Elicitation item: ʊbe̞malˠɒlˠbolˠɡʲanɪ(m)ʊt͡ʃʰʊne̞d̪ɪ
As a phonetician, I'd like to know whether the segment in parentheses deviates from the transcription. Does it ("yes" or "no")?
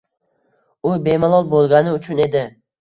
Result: yes